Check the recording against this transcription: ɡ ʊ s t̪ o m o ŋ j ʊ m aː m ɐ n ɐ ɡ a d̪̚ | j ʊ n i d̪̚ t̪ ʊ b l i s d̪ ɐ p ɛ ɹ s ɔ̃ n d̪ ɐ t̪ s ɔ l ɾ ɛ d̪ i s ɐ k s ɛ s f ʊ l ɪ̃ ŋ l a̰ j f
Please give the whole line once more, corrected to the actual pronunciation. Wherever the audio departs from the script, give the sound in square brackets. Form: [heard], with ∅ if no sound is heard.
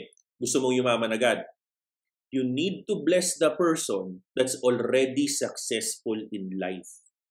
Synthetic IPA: ɡ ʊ s t̪ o m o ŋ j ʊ m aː m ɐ n ɐ ɡ a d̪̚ | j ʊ n i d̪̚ t̪ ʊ b l [ɛ] s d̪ ɐ p ɛ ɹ s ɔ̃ n d̪ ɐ t̪ s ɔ l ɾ ɛ d̪ i s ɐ k s ɛ s f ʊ l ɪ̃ [n] l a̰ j f